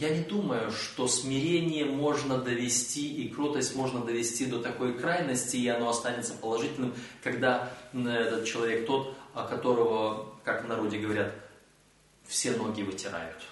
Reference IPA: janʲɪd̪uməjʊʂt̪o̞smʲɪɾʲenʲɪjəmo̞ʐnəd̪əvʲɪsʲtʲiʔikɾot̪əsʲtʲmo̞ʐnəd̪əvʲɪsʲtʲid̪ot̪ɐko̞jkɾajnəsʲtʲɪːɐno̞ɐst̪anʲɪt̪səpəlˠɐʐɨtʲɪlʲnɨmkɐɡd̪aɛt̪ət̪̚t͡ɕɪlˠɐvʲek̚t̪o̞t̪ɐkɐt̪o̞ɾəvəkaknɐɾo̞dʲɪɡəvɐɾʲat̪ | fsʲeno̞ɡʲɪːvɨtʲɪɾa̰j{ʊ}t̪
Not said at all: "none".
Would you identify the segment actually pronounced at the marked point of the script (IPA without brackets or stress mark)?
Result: ʊ